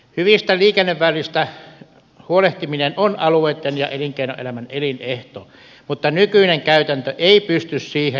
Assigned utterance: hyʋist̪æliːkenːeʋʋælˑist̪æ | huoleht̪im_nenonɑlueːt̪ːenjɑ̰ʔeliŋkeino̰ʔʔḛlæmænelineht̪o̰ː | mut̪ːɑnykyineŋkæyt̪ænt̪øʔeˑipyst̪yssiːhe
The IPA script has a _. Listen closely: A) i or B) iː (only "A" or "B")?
A